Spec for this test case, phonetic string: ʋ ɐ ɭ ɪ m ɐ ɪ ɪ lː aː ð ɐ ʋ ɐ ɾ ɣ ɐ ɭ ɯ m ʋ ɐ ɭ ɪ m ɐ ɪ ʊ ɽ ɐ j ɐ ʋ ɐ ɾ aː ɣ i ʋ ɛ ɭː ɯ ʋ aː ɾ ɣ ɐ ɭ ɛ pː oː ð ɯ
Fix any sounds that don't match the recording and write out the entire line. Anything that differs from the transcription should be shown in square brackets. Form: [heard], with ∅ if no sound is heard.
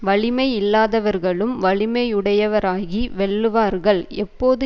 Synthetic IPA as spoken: ʋ ɐ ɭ ɪ m ɐ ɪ ɪ lː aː ð ɐ ʋ ɐ ɾ ɣ ɐ ɭ ɯ m ʋ ɐ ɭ ɪ m ɐ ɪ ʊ ɽ ɐ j ɐ ʋ ɐ ɾ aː ɣ i ʋ ɛ ɭː ɯ ʋ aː ɾ ɣ ɐ ɭ ɛ pː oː ð ɯ